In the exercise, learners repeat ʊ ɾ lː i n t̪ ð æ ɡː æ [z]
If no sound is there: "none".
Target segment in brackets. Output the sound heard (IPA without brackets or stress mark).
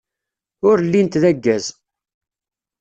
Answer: z